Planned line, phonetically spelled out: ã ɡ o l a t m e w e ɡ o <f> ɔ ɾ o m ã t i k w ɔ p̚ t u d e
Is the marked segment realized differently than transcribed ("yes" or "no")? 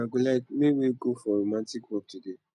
no